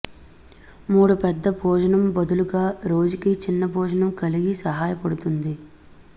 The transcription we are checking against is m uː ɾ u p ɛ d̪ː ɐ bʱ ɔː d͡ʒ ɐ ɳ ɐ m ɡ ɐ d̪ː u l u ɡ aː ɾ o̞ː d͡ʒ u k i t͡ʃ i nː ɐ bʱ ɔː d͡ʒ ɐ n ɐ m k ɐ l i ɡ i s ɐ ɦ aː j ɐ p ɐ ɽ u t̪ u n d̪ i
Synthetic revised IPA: m uː ɽ u p ɛ d̪ː ɐ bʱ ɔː d͡ʒ ɐ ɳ ɐ m b ɐ d̪ u l u ɡ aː ɾ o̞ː d͡ʒ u k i t͡ʃ i nː ɐ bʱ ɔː d͡ʒ ɐ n ɐ m k ɐ l i ɡ i s ɐ ɦ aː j ɐ p ɐ ɽ u t̪ u n d̪ i